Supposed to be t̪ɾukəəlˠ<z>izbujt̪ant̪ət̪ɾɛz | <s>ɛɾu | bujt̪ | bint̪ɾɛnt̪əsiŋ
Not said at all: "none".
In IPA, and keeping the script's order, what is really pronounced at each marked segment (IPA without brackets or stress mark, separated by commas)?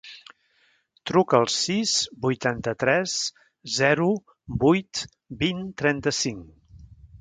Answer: s, z